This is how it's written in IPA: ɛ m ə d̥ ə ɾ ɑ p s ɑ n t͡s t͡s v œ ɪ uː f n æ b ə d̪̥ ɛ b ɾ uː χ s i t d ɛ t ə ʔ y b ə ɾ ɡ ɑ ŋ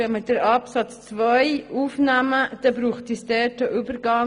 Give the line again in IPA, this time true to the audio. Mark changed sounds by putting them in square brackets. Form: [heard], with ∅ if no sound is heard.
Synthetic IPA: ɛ m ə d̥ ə ɾ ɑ p s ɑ [∅] t͡s t͡s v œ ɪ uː f n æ [m] ə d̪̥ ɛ b ɾ uː χ [t] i [s] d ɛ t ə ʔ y b ə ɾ ɡ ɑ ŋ